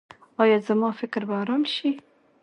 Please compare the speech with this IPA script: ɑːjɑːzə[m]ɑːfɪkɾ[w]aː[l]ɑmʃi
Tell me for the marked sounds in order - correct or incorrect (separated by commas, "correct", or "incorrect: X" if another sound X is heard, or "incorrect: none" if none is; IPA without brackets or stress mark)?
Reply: correct, incorrect: b, incorrect: ɾ